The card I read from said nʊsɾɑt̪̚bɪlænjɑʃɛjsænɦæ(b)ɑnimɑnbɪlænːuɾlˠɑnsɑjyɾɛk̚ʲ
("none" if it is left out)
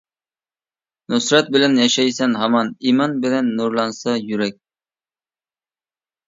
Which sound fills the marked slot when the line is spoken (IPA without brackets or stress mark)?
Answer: m